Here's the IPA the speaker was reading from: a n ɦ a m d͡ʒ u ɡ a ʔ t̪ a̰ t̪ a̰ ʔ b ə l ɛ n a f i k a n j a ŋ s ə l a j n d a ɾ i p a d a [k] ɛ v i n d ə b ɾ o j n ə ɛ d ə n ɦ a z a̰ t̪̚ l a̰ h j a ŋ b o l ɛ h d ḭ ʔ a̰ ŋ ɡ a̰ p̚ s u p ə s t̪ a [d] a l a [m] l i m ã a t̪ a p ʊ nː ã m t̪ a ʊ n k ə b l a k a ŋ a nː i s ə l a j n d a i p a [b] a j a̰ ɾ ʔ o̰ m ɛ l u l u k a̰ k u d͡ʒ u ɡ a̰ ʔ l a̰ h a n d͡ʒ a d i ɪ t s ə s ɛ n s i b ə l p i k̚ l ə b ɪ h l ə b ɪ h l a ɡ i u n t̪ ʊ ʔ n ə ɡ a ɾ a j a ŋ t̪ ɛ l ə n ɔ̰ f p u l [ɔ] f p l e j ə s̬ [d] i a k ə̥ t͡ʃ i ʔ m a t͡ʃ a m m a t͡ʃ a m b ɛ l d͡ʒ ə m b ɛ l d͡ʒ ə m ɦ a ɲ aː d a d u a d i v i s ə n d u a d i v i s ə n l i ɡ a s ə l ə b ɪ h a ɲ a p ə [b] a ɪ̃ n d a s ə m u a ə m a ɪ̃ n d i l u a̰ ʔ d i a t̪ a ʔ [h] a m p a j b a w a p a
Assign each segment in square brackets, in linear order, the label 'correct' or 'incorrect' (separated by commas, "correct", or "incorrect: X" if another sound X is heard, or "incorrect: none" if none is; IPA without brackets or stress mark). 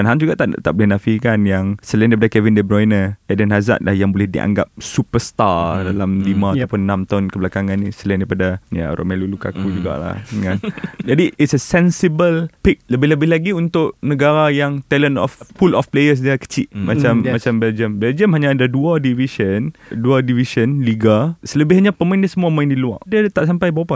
correct, correct, correct, incorrect: d, correct, correct, incorrect: m, incorrect: s